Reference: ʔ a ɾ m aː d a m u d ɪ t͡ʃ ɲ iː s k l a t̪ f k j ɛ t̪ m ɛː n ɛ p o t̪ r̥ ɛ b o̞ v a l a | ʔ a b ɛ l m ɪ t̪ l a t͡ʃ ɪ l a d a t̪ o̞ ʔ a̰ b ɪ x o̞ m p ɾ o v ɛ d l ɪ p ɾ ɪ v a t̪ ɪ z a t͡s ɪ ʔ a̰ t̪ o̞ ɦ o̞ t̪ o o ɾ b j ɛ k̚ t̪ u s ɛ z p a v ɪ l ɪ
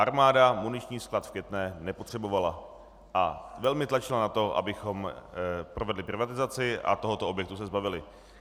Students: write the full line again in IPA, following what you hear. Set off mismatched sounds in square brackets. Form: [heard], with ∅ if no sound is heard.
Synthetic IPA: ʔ a ɾ m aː d a m u [n] ɪ t͡ʃ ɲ iː s k l a t̪ f k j ɛ t̪ [n] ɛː n ɛ p o t̪ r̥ ɛ b o̞ v a l a | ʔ a [v] ɛ l m ɪ t̪ l a t͡ʃ ɪ l a [n] a t̪ o̞ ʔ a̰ b ɪ x o̞ m p ɾ o v ɛ d l ɪ p ɾ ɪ v a t̪ ɪ z a t͡s ɪ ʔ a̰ t̪ o̞ ɦ o̞ t̪ o o [∅] b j ɛ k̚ t̪ u s ɛ z [b] a v ɪ l ɪ